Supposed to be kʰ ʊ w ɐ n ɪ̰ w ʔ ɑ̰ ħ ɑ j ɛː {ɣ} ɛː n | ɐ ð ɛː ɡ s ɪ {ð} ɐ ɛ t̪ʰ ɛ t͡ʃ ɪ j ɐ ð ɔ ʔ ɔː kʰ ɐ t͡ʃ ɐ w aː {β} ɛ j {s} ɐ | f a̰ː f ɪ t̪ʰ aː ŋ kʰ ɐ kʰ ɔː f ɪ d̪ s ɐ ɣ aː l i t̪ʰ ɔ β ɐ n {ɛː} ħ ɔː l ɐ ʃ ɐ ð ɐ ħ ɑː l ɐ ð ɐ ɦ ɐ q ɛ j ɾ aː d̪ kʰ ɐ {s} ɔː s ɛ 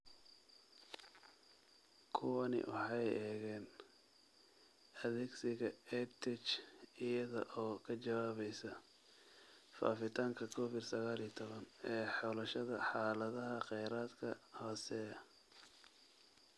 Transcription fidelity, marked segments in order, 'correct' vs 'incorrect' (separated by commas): correct, incorrect, correct, correct, correct, incorrect